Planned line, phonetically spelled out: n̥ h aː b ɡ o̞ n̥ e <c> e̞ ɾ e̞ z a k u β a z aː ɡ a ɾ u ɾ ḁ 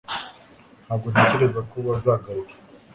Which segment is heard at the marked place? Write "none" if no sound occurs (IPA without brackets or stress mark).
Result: c